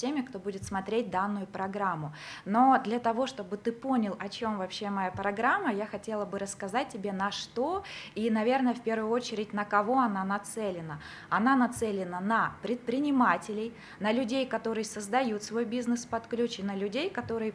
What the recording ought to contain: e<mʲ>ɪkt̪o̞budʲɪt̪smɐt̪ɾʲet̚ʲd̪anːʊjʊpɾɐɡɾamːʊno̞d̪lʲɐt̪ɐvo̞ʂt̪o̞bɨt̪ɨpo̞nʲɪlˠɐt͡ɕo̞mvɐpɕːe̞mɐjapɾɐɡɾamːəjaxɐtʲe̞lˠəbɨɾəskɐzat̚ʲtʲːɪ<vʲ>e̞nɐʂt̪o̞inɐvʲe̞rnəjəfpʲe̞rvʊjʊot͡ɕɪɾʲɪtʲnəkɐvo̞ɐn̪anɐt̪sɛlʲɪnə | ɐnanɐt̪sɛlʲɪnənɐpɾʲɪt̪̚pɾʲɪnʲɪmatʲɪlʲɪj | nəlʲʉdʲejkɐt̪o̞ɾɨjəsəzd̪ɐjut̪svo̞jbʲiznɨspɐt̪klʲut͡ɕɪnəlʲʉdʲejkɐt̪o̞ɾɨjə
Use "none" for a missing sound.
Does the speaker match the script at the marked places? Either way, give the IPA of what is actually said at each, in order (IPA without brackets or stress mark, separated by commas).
mʲ, bʲ